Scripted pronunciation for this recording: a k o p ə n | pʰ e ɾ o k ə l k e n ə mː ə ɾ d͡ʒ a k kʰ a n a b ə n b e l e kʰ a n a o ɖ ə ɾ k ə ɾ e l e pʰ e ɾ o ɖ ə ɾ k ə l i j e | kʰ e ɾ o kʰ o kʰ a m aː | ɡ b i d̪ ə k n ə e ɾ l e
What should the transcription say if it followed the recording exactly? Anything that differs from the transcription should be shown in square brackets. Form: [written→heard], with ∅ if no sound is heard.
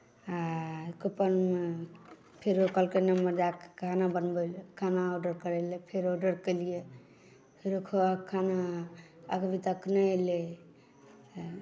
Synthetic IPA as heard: a k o p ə n | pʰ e ɾ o k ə l k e n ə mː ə ɾ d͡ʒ a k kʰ a n a b ə n b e l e kʰ a n a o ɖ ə ɾ k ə ɾ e l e pʰ e ɾ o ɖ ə ɾ k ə l i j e | [kʰ→pʰ] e ɾ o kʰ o kʰ a [m→n] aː | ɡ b i [d̪→t̪] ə k n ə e [ɾ→∅] l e